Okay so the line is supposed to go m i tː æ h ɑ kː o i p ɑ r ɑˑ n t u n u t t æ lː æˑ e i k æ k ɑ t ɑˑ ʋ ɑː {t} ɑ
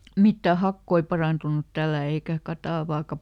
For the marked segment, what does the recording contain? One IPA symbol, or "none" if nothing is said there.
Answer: k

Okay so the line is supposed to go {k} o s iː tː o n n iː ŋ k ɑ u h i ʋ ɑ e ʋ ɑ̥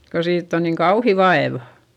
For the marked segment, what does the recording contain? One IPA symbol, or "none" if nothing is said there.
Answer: k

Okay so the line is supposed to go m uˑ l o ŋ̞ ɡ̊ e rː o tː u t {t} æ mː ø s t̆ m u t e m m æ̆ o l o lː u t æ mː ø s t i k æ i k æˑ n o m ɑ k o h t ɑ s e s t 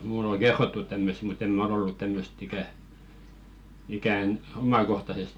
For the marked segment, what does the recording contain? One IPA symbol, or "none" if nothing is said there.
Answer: t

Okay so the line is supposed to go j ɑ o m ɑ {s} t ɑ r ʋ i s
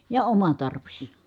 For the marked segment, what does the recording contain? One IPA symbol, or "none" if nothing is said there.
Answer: none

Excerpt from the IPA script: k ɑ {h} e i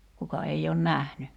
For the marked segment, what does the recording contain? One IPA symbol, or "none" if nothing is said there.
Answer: none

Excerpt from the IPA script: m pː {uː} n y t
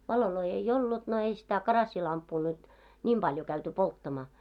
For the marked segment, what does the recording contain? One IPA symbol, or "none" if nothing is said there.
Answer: uː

